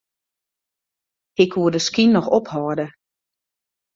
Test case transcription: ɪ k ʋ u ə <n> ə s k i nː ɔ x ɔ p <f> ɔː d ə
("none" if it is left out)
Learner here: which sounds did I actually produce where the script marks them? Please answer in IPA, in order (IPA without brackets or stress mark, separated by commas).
d, h